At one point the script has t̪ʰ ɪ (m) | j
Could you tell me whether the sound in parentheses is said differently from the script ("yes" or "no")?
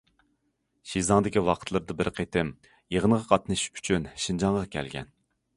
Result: no